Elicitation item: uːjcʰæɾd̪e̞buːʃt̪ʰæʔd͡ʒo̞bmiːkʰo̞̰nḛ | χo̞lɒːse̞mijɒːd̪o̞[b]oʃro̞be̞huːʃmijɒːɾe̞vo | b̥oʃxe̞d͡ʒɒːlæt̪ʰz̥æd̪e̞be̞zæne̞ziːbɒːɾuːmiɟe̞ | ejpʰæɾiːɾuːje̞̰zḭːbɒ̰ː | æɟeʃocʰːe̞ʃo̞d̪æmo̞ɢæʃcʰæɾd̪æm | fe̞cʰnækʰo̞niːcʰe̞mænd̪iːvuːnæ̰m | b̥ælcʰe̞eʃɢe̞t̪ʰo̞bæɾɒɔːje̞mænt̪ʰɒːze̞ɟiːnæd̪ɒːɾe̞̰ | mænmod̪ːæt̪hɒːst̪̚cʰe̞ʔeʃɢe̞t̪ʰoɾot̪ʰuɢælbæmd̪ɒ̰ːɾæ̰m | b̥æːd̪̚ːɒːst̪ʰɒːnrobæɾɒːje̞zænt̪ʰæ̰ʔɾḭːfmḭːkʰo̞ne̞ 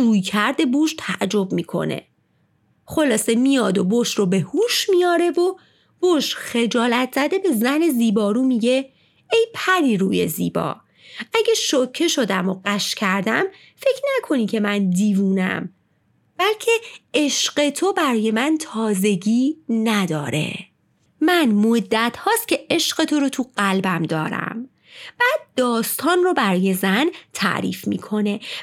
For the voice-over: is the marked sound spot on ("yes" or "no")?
yes